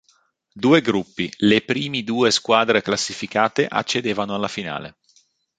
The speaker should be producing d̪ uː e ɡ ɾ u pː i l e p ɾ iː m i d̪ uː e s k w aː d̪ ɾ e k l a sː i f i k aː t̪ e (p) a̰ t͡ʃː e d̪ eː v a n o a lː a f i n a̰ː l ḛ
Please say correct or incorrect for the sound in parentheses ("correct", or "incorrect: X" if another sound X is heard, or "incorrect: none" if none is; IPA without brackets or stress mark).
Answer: incorrect: ʔ